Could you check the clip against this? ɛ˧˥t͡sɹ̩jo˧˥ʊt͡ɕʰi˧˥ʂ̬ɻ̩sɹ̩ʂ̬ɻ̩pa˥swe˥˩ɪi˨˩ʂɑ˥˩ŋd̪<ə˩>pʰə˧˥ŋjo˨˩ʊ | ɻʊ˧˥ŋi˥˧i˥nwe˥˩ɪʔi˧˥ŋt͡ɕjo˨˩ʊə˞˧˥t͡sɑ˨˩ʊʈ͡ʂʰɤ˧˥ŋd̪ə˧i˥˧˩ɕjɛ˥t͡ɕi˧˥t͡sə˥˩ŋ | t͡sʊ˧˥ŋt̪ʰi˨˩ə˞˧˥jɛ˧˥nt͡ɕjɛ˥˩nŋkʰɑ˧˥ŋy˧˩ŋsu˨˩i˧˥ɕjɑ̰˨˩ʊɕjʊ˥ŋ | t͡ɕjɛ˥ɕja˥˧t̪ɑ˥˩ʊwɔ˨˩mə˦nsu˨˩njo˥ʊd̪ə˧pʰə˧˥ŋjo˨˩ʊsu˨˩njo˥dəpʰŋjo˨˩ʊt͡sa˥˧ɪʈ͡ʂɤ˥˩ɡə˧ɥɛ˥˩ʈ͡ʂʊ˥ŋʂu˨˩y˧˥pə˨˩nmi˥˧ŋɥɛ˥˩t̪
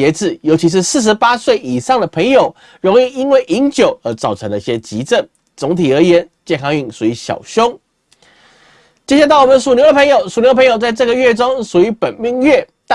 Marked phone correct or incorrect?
correct